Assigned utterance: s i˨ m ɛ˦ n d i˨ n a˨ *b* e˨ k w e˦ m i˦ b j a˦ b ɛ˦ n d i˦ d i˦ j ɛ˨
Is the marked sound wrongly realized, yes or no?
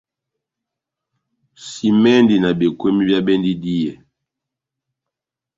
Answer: no